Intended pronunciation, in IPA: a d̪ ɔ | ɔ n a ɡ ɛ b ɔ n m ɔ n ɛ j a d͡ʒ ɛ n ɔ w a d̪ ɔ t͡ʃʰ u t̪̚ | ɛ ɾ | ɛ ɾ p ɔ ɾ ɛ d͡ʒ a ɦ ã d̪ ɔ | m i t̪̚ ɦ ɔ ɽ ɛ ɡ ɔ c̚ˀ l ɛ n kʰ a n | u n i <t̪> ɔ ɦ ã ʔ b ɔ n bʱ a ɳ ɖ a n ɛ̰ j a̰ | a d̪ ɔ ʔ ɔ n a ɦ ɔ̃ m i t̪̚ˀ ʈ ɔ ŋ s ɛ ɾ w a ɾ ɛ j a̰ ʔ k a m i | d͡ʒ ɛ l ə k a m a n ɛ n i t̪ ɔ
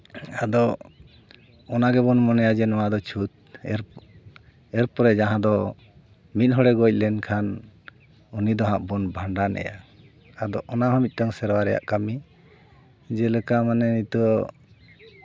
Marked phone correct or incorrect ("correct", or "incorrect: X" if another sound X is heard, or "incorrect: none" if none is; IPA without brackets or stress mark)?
incorrect: d̪